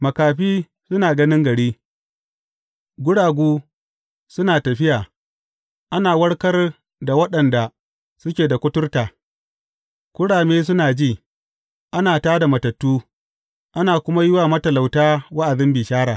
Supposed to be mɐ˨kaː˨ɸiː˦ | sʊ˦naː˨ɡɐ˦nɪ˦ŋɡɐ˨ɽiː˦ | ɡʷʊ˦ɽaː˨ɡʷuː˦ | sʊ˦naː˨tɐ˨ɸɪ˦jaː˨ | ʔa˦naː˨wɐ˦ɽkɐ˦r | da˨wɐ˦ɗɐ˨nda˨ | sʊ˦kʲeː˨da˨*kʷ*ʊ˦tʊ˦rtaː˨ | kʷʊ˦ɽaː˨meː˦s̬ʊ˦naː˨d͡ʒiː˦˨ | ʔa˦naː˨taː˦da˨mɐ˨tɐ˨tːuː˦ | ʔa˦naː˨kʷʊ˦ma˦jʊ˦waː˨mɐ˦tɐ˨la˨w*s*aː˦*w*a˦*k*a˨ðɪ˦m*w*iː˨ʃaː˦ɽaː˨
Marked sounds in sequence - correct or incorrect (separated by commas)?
correct, incorrect, correct, incorrect, incorrect